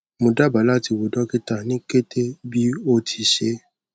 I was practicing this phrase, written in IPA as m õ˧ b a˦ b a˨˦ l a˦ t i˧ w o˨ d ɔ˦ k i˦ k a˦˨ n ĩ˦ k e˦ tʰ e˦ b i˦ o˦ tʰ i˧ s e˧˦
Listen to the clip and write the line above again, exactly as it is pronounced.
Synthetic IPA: m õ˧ d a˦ b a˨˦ l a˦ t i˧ w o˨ d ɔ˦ k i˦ t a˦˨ n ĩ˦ k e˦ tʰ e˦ b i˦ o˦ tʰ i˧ ʃ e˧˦